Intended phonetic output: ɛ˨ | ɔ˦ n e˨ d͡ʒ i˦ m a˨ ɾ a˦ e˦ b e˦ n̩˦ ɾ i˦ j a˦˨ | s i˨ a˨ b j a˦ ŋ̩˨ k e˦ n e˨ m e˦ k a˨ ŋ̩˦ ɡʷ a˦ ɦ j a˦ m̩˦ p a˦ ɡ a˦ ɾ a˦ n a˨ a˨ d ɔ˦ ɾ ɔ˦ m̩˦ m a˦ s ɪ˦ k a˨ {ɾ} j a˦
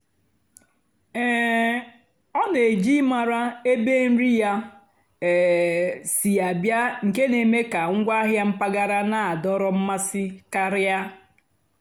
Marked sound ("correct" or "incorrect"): correct